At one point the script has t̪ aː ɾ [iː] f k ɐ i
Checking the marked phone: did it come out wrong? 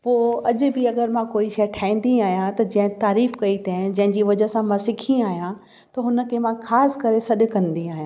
no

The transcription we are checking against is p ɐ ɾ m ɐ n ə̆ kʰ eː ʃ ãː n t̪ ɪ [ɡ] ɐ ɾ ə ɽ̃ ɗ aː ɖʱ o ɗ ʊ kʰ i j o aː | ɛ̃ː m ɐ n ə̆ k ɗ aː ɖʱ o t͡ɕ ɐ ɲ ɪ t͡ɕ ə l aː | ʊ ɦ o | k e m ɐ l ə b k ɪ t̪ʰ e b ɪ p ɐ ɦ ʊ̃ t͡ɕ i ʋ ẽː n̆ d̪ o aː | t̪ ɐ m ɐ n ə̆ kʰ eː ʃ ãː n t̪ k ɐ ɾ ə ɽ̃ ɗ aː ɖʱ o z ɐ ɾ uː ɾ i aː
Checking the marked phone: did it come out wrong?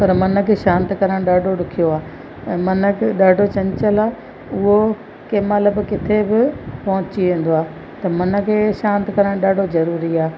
yes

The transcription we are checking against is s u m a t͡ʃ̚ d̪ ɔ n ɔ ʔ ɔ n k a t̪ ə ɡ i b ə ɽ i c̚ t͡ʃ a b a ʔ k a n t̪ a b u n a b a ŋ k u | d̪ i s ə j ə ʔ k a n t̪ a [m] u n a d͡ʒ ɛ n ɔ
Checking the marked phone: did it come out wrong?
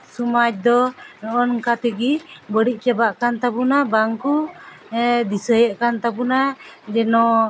yes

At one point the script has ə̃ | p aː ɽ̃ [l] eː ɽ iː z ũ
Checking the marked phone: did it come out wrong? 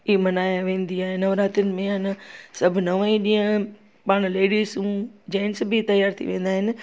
no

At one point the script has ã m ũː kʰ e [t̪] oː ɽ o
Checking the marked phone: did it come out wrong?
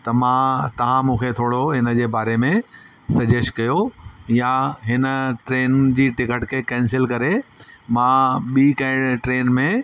yes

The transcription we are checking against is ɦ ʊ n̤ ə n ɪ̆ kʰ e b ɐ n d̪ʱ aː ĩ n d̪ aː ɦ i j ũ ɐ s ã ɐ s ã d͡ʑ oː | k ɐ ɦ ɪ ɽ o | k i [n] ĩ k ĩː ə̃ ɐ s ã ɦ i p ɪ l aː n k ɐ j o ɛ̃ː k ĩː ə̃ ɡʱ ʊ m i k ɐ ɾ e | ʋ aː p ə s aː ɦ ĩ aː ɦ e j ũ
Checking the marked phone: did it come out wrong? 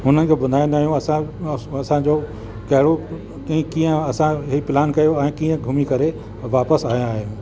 yes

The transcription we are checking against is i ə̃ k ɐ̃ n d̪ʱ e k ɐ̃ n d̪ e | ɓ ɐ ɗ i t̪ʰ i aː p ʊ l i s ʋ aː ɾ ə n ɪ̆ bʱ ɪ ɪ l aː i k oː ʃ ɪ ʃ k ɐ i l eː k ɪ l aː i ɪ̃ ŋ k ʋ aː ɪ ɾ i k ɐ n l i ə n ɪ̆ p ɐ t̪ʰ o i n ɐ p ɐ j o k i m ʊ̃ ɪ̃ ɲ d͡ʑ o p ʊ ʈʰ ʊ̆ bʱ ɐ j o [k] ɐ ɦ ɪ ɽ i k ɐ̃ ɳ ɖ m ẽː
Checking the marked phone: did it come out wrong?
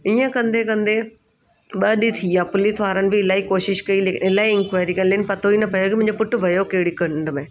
no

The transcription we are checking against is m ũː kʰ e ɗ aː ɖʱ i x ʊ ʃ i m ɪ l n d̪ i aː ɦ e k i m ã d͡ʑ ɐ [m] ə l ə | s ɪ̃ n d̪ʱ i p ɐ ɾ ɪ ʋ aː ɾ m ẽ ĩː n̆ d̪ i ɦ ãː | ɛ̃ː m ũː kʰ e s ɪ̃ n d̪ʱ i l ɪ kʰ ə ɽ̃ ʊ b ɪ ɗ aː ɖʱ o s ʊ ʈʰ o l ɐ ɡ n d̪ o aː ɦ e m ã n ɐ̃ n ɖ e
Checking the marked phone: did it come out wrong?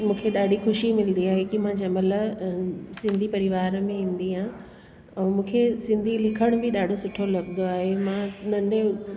no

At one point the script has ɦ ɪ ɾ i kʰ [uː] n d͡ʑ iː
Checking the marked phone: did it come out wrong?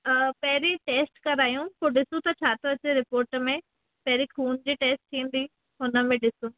no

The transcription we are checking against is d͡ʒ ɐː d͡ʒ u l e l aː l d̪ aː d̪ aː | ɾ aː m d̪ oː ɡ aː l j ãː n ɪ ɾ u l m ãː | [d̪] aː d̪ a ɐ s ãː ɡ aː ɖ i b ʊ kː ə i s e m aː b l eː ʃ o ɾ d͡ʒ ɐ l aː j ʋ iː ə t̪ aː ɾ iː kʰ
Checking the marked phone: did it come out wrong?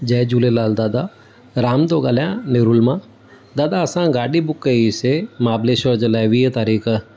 no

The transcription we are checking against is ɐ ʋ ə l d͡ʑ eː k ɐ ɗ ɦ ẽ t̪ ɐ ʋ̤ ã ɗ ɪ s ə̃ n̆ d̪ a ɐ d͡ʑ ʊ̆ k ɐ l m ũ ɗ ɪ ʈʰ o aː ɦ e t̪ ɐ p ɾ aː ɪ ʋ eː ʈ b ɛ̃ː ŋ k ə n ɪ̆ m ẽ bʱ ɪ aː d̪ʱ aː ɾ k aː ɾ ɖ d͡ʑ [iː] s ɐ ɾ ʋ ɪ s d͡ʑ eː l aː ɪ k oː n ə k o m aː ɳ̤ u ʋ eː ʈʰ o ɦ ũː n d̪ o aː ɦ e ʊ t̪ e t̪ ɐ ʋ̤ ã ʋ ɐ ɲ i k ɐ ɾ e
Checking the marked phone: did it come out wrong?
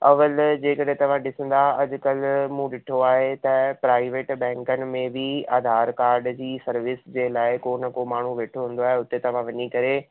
no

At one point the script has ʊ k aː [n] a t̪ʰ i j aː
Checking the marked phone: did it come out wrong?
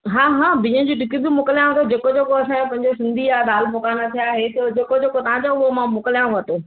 no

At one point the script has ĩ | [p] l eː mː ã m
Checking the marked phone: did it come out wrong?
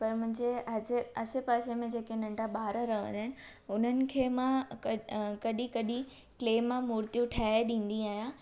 yes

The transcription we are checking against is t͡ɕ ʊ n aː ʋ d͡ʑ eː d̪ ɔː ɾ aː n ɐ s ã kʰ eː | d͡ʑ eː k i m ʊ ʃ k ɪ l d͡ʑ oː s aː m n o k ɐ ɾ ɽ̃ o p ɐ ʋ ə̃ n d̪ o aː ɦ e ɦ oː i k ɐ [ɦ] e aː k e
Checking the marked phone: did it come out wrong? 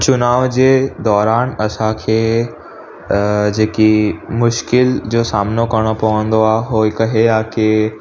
no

